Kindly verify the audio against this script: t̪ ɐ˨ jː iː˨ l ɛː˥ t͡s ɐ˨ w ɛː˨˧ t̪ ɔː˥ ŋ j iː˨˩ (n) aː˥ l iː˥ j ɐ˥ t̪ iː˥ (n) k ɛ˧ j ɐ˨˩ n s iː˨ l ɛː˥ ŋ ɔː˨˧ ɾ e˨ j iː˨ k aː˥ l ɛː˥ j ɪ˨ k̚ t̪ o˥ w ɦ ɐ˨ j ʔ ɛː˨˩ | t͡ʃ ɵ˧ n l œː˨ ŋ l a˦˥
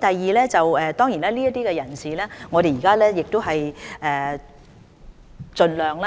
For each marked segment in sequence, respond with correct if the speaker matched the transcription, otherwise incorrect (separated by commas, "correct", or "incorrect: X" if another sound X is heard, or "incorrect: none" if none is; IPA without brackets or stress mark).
correct, incorrect: none